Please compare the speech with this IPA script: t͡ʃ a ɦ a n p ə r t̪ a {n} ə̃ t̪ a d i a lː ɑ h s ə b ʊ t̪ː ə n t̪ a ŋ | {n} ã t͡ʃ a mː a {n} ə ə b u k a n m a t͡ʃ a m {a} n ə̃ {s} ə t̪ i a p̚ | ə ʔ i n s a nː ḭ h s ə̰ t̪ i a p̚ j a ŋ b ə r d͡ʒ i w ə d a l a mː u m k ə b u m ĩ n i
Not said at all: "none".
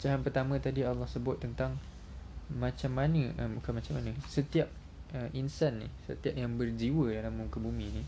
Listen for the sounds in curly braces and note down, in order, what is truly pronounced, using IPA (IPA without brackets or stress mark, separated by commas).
m, m, n, a, s